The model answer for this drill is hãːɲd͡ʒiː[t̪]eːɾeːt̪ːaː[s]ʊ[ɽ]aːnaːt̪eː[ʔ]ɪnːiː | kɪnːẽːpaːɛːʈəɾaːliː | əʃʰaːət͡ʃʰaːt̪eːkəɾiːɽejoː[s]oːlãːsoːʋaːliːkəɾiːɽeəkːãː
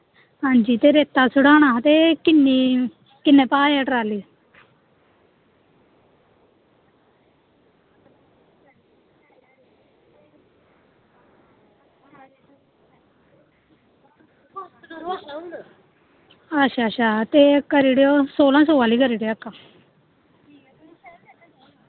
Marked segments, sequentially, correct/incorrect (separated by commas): correct, correct, correct, incorrect, correct